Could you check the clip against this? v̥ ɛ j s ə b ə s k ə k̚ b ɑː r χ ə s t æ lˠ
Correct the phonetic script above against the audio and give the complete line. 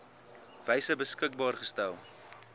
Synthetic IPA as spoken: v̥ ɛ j s ə b ə s k ə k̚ b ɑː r χ ə s t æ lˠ